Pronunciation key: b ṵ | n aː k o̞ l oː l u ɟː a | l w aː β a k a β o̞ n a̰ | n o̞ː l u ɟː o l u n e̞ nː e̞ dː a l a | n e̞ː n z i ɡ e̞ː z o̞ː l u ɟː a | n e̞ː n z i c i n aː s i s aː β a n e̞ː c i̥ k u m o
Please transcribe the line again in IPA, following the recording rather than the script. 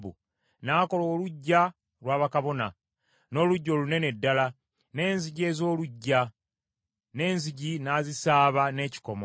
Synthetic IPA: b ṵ | n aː k o̞ l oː l u ɟː a | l w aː β a k a β o̞ n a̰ | n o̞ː l u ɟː o l u n e̞ n e̞ dː a l a | n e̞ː n z i ɟ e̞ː z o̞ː l u ɟː a | n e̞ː n z i ɟ i n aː z i s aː β a n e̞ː c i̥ k o m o